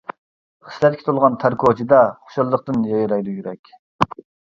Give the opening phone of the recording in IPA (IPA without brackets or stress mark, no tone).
χ